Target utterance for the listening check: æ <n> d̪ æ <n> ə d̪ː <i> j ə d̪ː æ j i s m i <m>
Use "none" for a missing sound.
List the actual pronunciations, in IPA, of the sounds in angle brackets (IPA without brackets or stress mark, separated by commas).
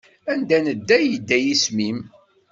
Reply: n, n, æ, m